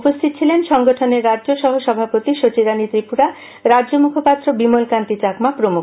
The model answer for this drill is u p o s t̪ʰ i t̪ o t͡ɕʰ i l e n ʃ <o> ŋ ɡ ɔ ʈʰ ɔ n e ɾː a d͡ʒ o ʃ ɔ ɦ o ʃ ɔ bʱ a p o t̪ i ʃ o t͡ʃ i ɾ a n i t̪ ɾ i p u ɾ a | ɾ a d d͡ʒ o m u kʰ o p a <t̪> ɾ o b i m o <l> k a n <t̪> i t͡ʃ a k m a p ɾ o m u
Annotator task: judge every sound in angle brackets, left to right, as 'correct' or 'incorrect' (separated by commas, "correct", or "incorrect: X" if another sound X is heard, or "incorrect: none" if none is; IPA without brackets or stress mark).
incorrect: ɔ, correct, correct, correct